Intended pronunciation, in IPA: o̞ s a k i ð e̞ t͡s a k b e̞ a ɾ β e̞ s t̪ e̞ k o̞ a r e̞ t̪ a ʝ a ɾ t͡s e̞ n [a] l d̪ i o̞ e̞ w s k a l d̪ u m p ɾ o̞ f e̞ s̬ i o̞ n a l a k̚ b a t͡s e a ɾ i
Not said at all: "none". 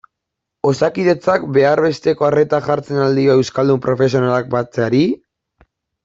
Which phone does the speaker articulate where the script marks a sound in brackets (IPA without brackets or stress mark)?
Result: a